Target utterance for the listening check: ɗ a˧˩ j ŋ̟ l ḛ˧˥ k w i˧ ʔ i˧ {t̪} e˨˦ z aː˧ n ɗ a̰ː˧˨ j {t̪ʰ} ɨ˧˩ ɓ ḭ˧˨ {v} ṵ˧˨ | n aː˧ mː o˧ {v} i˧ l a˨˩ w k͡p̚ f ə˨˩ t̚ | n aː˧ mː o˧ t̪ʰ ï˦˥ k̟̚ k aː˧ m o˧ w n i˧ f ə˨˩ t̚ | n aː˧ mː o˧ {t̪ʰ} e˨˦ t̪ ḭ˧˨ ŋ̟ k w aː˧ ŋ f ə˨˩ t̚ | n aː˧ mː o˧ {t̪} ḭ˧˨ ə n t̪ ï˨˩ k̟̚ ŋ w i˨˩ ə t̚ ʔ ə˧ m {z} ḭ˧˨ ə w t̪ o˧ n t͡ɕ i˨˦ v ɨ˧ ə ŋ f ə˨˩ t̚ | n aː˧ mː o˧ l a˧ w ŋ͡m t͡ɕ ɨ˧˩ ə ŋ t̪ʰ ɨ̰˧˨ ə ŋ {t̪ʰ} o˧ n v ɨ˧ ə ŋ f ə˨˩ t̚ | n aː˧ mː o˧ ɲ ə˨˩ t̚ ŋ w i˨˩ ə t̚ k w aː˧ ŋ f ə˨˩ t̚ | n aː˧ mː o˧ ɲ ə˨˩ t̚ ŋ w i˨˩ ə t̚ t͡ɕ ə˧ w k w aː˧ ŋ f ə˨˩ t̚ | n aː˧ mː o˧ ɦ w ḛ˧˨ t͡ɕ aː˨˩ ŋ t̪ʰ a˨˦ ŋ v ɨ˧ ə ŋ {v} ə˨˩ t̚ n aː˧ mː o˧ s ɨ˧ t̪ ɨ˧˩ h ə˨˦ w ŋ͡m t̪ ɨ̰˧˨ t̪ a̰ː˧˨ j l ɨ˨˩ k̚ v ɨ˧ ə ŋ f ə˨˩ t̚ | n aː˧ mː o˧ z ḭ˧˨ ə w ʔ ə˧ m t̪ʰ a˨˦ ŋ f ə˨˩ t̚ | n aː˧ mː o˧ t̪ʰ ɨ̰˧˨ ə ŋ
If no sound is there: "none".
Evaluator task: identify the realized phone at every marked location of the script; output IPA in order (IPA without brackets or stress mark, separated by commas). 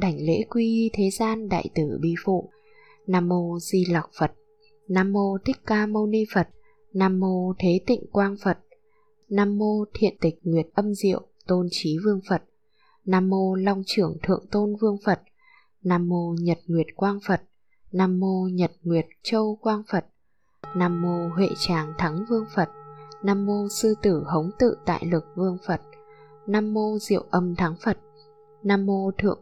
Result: t̪ʰ, t̪, f, z, t̪ʰ, t̪ʰ, z, t̪, f